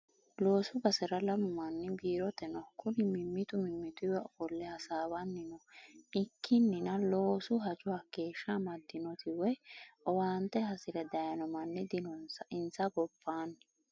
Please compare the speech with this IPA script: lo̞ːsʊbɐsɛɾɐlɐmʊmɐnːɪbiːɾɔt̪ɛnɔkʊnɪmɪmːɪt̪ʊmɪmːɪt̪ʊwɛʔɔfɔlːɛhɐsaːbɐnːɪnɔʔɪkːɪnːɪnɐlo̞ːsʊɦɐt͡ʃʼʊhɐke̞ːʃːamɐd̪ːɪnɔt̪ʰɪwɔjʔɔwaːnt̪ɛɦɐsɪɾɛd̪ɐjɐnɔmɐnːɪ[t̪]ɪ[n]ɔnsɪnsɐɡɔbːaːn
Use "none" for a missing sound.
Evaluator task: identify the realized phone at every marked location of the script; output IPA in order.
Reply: d̪, n

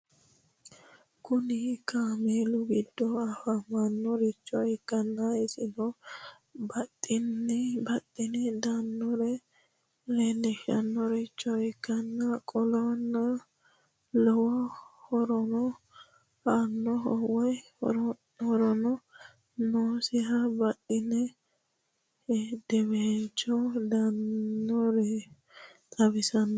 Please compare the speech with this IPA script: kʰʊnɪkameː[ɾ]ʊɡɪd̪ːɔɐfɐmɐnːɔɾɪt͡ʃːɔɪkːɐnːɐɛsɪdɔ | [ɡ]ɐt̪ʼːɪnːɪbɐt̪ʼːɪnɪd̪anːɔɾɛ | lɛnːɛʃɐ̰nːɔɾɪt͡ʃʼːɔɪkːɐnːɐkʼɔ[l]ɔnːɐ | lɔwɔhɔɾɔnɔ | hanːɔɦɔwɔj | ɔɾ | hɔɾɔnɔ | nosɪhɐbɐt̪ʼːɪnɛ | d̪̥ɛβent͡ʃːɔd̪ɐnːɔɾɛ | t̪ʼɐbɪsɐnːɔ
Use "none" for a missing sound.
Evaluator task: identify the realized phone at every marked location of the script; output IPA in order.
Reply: l, b, l

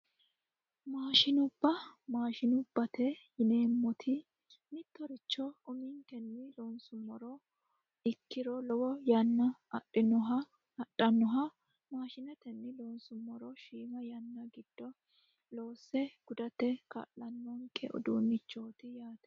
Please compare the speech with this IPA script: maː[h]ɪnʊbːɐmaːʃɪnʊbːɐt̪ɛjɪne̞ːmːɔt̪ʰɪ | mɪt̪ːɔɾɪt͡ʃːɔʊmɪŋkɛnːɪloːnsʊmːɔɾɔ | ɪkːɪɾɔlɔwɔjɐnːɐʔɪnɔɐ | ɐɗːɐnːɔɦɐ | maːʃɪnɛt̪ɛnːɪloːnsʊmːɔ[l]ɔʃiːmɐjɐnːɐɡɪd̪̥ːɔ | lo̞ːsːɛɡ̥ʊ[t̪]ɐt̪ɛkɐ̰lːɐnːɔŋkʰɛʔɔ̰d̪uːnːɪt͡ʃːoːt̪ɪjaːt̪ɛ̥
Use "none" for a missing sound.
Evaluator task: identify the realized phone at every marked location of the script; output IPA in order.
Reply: ʃ, ɾ, d̪

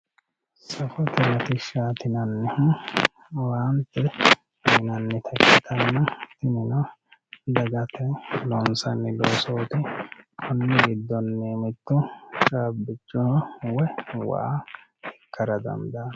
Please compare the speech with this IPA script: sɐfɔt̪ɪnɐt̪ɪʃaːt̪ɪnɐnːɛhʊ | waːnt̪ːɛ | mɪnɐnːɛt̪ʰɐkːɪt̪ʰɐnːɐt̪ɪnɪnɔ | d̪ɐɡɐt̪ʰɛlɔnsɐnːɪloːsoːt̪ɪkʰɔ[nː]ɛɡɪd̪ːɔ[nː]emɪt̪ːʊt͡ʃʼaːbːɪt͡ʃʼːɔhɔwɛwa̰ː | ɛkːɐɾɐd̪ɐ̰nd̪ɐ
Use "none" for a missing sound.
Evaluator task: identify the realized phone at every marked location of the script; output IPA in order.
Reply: nː, nː

